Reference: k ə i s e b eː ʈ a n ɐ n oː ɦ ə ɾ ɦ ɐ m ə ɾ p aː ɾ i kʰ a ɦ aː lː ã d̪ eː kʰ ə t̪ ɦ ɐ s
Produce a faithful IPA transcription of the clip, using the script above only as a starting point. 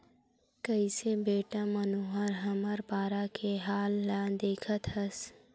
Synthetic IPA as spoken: k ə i s e b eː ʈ a m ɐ n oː ɦ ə ɾ ɦ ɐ m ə ɾ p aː ɾ a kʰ e ɦ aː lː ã d̪ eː kʰ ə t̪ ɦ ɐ s